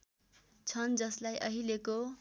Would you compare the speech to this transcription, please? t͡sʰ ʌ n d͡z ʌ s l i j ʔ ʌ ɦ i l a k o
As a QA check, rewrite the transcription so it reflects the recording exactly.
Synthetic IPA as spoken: t͡sʰ ʌ n d͡z ʌ s l a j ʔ ʌ ɦ i l e k o